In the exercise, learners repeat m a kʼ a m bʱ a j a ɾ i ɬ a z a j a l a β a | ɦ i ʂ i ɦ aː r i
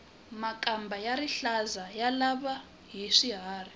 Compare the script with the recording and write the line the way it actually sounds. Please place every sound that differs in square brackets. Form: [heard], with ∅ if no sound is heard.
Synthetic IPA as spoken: m a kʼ a m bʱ a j a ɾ i ɬ a z a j a l a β a | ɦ i ʂ i ɦ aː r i